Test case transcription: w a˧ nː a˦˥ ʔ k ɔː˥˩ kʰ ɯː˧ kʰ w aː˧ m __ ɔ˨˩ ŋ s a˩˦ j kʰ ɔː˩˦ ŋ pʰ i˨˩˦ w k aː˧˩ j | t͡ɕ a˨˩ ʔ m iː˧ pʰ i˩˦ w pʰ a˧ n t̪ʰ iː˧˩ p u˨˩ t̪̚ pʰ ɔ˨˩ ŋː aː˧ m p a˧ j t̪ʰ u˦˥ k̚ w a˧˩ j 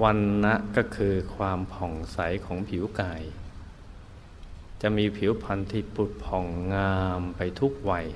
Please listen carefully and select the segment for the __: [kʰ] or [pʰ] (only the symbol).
pʰ